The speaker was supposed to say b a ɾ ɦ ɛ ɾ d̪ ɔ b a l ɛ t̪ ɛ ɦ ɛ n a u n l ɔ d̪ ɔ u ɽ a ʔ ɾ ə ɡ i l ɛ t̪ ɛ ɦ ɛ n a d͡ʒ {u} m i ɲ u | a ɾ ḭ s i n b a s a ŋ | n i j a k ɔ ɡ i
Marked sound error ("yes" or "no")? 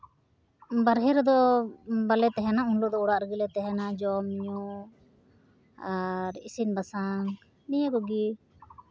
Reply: yes